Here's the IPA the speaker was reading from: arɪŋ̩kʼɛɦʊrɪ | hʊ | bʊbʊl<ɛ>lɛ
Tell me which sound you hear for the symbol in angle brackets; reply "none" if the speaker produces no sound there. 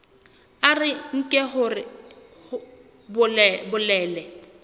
ɛː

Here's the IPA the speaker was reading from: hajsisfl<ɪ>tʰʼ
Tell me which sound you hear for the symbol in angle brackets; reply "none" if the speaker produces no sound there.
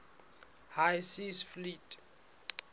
i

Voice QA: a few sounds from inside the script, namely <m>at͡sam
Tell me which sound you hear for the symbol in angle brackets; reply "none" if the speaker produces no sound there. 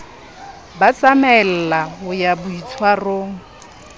b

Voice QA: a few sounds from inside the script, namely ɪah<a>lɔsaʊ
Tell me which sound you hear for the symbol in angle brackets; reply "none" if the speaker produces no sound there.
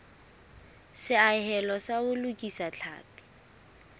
ɛ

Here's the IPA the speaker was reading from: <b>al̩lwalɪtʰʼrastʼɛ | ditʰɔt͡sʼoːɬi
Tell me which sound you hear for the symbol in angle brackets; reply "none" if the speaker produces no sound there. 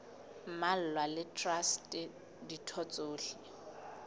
m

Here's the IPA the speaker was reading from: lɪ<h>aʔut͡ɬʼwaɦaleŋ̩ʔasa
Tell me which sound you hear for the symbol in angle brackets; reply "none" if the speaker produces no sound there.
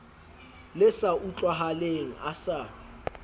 s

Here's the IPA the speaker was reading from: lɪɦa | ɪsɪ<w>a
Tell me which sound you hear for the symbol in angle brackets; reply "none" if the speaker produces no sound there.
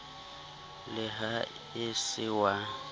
w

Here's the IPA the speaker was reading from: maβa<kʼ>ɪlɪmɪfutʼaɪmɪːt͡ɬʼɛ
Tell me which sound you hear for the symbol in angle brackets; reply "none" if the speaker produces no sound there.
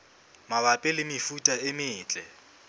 pʼ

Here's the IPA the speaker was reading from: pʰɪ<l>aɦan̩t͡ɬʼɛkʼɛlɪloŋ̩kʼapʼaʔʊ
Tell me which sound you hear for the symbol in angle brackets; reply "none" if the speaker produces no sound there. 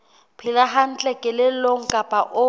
l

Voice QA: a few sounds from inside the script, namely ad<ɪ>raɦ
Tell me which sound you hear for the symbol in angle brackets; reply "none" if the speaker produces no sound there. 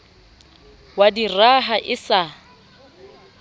i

